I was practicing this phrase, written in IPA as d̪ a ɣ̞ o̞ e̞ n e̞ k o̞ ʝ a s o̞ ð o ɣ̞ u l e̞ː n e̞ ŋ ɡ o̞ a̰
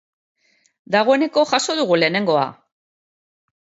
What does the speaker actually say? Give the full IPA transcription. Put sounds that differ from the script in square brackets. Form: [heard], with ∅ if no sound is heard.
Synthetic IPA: d̪ a ɣ̞ o̞ e̞ n e̞ k o̞ ʝ a s o̞ ð [u] ɣ̞ u l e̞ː n e̞ ŋ ɡ o̞ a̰